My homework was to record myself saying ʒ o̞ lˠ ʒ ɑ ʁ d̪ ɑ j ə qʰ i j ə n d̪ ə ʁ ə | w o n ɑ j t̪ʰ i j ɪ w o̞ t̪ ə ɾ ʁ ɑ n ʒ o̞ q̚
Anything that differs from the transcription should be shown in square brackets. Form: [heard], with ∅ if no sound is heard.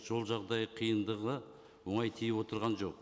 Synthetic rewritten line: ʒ o̞ lˠ ʒ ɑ ʁ d̪ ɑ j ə qʰ i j ə n d̪ ə ʁ ə | w o [ɴ] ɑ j t̪ʰ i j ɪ w o̞ t̪ ə ɾ ʁ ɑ n ʒ o̞ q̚